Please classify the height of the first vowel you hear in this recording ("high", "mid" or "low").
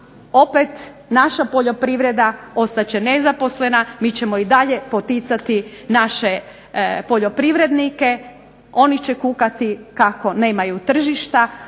mid